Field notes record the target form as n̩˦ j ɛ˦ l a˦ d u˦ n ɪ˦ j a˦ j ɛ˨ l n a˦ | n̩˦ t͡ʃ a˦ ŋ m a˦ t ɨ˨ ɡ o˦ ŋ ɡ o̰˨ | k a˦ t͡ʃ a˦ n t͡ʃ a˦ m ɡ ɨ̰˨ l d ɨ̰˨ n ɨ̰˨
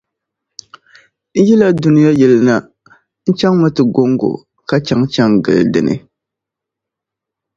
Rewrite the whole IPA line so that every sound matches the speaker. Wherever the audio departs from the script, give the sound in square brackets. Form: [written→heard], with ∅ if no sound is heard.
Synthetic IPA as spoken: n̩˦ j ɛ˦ l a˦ d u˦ n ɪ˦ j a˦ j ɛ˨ l n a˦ | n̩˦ t͡ʃ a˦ ŋ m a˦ t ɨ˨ ɡ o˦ ŋ ɡ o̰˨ | k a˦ t͡ʃ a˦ [n→ŋ] t͡ʃ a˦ [m→ŋ] ɡ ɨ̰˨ l d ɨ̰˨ n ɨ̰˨